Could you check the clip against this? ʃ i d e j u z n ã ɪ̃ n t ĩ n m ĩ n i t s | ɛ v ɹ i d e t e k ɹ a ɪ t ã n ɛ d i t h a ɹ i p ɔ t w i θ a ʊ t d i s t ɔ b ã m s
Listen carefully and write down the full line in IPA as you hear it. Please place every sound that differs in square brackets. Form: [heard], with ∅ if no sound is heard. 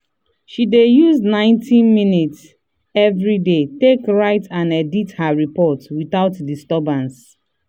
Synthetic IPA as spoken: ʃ i d e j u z n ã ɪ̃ n t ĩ n m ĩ n i t s | ɛ v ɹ i d e t e k ɹ a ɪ t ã n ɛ d i t h a ɹ i p ɔ t w i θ a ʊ t d i s t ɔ b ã [n] s